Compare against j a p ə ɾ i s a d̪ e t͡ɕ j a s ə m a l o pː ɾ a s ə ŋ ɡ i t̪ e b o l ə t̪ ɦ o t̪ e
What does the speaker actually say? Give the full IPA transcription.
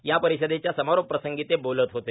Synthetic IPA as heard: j a p ə ɾ i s ə d̪ e t͡ɕ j a s ə m a ɾ o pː ɾ ə s ə ŋ ɡ i t̪ e b o l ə t̪ ɦ o t̪ e